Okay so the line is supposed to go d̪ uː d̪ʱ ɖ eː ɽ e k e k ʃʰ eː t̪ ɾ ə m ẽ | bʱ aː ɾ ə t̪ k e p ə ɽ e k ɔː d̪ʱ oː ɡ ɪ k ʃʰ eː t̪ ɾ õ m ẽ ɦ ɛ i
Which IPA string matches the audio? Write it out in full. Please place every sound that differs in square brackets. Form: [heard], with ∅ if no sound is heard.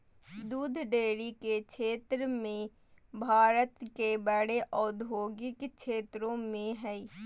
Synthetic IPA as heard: d̪ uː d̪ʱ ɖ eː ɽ [i] k e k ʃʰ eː t̪ ɾ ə m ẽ | bʱ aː ɾ ə t̪ k e [b] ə ɽ e [ʔ] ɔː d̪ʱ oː ɡ ɪ k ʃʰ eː t̪ ɾ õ m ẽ ɦ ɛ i